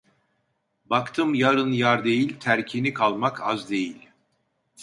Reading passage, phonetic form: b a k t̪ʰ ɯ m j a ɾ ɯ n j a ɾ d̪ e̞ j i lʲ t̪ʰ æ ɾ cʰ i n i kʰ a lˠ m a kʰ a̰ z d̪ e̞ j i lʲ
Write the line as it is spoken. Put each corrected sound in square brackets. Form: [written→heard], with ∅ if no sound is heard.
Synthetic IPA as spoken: b a k t̪ʰ ɯ m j a ɾ ɯ n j a ɾ d̪ e̞ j i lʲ t̪ʰ æ ɾ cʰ i n i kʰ a lˠ m a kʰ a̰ z d̪ e̞ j i lʲ